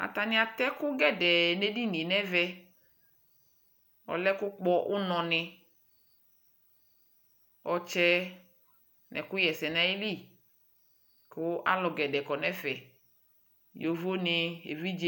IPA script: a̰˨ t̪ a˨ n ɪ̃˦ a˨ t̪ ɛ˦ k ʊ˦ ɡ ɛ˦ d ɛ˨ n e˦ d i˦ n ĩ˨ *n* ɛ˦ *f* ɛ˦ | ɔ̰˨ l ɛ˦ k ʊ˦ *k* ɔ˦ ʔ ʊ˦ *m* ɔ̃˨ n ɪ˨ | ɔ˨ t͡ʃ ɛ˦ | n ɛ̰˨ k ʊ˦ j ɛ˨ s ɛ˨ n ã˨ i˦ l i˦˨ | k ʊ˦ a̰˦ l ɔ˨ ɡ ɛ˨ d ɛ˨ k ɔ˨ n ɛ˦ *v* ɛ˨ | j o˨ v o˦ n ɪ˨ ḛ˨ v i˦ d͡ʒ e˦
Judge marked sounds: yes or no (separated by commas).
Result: yes, no, no, no, no